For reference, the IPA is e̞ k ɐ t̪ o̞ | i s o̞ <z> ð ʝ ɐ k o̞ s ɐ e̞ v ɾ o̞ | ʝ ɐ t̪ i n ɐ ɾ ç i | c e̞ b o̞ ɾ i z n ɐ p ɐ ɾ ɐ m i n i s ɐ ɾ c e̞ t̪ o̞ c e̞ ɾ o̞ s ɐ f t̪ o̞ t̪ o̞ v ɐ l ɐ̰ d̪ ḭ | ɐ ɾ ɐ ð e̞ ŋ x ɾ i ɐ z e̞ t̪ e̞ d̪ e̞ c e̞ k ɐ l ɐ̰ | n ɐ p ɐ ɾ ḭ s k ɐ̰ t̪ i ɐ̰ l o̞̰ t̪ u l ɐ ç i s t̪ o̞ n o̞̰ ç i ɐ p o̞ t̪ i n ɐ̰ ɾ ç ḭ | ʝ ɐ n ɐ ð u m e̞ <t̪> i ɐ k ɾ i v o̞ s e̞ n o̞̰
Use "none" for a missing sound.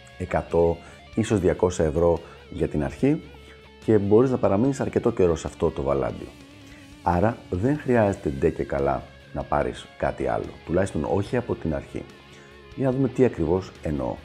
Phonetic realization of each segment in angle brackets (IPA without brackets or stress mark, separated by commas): z, t̪